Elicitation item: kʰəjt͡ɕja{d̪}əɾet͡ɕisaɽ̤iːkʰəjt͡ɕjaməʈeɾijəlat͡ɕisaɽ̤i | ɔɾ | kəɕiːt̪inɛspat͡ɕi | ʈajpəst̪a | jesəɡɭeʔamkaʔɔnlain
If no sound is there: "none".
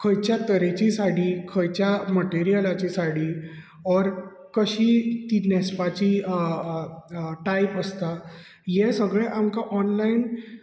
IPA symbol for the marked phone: t̪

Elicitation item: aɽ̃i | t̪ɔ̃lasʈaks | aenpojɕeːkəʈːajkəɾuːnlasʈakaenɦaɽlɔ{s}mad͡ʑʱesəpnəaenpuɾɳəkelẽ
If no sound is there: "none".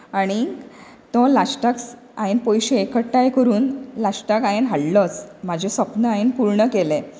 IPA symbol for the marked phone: t͡s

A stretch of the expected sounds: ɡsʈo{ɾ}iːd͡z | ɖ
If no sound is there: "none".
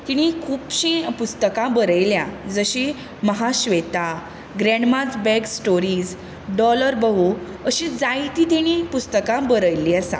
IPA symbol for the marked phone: ɾ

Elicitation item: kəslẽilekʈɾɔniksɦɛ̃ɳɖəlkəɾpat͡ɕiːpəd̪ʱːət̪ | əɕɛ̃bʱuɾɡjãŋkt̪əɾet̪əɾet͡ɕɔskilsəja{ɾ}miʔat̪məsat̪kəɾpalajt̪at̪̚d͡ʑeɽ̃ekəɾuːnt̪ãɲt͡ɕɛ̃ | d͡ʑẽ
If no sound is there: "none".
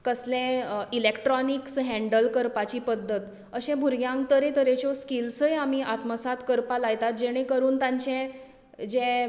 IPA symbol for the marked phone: none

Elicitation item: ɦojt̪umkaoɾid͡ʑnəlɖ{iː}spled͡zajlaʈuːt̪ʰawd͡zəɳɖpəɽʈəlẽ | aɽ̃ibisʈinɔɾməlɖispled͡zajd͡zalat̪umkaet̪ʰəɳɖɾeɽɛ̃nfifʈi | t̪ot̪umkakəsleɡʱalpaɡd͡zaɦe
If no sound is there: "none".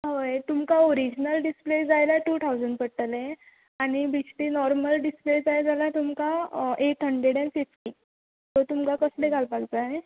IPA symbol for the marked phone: i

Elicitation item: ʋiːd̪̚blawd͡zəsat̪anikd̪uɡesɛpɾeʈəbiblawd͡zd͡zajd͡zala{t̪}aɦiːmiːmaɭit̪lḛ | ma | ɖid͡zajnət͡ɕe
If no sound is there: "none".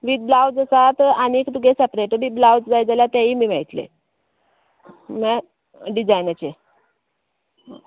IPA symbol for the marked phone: t̪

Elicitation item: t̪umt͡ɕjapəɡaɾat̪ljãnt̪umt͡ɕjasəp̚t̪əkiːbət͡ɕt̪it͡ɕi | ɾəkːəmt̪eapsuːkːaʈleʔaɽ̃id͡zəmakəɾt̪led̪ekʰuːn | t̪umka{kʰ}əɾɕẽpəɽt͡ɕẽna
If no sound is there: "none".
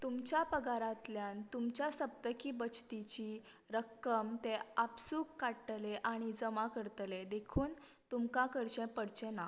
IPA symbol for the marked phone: k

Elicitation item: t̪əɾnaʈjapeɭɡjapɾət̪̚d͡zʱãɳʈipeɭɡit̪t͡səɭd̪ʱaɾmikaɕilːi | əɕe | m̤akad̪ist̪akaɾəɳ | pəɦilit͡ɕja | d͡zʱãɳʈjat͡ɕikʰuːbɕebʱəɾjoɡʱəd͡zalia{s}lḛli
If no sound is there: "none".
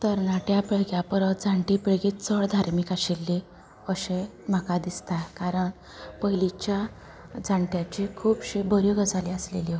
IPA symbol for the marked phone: s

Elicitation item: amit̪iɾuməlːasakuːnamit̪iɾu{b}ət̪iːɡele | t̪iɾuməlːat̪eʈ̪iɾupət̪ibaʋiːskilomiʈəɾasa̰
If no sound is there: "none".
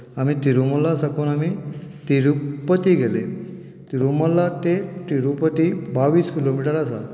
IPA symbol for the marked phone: p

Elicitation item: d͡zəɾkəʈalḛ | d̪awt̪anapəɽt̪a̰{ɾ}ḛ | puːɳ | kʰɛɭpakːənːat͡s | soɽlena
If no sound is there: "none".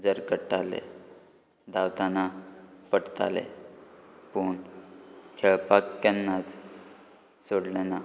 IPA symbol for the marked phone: l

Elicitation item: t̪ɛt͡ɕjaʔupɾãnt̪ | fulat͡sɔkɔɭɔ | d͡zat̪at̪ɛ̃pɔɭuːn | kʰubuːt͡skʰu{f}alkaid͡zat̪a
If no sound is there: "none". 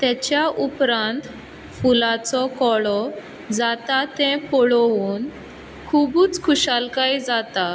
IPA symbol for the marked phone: ɕ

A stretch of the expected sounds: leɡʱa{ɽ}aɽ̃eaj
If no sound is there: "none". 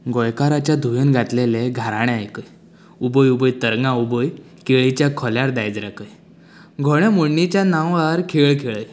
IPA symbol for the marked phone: ɾ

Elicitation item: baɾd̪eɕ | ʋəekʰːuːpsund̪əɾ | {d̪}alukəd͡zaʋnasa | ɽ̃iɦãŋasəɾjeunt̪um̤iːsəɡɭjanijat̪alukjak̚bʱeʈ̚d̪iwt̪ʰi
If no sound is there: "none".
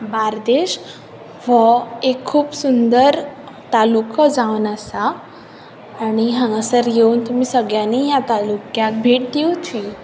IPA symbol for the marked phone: t̪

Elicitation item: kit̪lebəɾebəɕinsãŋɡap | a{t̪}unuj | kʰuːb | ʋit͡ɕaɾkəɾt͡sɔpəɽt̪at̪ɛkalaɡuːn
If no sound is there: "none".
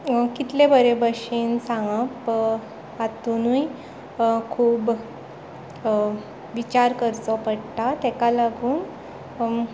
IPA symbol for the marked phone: t̪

